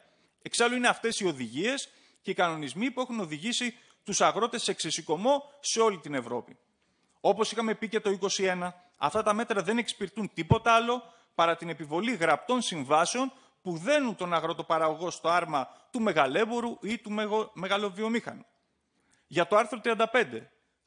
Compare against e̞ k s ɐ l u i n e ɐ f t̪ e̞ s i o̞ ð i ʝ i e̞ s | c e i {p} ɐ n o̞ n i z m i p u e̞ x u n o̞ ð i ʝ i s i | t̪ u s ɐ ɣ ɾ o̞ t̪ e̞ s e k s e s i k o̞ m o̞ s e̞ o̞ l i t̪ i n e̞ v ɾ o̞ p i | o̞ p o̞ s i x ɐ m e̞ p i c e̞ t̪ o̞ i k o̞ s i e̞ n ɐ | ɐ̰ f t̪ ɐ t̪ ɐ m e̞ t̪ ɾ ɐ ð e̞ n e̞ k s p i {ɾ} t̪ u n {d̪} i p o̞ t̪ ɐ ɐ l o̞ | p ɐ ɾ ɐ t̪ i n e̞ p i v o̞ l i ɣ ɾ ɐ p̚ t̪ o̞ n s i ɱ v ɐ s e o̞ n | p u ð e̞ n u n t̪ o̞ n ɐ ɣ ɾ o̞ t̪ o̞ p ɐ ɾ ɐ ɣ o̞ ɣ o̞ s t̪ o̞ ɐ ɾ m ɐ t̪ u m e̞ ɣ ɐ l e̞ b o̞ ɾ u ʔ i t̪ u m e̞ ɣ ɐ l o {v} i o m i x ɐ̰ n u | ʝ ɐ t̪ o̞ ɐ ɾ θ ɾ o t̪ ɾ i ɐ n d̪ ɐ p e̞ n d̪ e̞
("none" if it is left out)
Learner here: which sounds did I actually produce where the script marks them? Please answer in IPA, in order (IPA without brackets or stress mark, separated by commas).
k, ɾ, t̪, v